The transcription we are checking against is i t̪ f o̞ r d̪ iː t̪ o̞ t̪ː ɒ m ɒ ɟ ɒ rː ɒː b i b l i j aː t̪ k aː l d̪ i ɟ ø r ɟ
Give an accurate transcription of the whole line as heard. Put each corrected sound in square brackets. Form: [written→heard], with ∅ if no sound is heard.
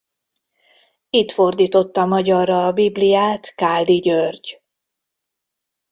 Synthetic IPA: i t̪ f o̞ r d̪ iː t̪ o̞ t̪ː ɒ m ɒ ɟ ɒ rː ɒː b i b l i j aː t̪ k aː l d̪ i ɟ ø r ɟ